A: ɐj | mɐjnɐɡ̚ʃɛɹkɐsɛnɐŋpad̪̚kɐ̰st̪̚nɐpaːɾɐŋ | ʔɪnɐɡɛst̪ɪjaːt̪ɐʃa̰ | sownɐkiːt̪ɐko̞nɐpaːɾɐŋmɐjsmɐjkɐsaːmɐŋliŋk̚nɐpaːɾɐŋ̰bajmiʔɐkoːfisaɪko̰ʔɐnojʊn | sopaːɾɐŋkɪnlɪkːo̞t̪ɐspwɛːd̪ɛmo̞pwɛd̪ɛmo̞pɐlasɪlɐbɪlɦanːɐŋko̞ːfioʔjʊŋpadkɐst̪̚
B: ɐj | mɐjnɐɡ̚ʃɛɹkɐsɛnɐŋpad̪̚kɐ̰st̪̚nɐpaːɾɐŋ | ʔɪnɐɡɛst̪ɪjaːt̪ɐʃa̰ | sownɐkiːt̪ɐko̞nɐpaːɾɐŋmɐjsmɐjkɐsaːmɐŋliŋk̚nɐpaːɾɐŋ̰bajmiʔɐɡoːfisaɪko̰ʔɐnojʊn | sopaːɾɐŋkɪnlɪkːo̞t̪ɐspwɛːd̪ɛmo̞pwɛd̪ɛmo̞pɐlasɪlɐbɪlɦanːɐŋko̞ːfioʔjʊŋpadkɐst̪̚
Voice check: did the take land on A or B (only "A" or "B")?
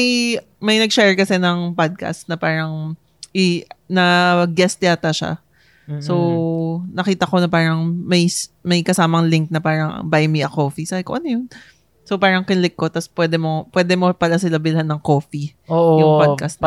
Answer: A